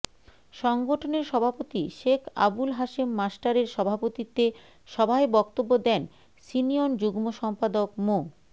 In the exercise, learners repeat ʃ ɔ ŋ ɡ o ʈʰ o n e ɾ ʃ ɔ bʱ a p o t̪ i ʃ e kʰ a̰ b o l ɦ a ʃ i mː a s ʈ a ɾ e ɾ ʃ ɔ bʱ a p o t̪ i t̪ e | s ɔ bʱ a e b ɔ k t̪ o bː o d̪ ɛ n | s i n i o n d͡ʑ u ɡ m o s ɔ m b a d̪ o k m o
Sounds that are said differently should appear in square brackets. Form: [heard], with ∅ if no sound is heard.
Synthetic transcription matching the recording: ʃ ɔ ŋ ɡ o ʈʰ o n e ɾ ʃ ɔ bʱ a p o t̪ i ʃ e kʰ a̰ b [u] l ɦ a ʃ i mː a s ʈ a ɾ e ɾ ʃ ɔ bʱ a p o t̪ i t̪ e | [ʃ] ɔ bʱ a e b ɔ k t̪ o bː o d̪ ɛ n | s i n i o n d͡ʑ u ɡ m o [ʃ] ɔ m [p] a d̪ o k m o